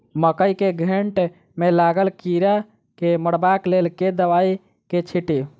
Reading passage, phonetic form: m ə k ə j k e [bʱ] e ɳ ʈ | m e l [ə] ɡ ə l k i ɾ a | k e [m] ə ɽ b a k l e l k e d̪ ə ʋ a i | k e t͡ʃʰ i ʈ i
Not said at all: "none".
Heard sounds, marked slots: ɡʱ, a, m

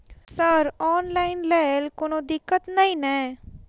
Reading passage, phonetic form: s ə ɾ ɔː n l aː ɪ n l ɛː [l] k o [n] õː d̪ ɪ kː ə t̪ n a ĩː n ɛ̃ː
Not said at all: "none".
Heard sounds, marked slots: l, n

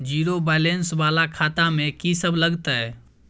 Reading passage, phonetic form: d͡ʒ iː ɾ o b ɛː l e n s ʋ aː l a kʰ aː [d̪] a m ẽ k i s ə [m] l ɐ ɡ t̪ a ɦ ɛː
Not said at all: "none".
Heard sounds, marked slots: t̪, b

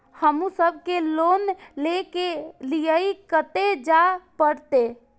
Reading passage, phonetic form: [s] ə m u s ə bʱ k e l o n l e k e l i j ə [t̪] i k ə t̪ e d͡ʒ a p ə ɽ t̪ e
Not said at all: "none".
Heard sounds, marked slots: h, none

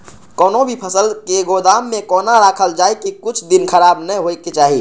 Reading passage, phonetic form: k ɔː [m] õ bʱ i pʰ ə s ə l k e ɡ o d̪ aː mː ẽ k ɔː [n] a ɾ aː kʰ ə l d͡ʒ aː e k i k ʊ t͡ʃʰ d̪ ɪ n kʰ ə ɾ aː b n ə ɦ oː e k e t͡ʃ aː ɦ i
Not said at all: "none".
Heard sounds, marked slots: n, n

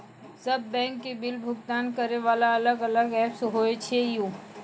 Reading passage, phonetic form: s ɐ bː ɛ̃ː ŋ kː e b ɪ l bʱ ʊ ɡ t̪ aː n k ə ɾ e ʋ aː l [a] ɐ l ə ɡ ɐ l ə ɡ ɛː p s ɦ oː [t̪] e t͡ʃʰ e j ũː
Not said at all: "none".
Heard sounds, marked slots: a, none

